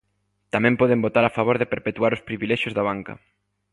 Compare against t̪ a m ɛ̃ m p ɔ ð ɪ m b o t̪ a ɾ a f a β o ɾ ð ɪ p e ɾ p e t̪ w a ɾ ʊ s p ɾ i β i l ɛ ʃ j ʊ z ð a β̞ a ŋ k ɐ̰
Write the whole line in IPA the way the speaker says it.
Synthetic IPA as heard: t̪ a m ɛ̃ m p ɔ ð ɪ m b o t̪ a ɾ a f a β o ɾ ð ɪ p e ɾ p e t̪ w a ɾ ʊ s p ɾ i β i l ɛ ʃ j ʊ z ð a β̞ a ŋ k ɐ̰